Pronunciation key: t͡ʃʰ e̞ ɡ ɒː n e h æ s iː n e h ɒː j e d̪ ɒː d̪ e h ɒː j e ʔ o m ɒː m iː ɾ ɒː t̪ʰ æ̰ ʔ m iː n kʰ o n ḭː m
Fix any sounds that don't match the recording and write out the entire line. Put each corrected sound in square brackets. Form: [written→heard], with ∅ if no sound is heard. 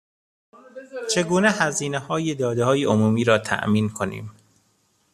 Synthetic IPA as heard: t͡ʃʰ e̞ ɡ [ɒː→uː] n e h æ [s→z] iː n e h ɒː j e d̪ ɒː d̪ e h ɒː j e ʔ o m [ɒː→uː] m iː ɾ ɒː t̪ʰ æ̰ ʔ m iː n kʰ o n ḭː m